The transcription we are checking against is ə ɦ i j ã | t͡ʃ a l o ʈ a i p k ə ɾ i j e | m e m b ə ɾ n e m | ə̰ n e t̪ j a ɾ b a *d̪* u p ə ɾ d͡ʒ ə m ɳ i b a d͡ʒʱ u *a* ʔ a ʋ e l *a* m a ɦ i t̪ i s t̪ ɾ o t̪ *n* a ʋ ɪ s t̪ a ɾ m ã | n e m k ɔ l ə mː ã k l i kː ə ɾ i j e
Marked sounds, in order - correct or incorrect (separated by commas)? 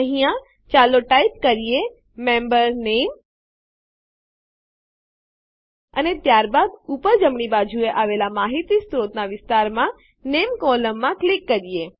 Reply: correct, incorrect, correct, correct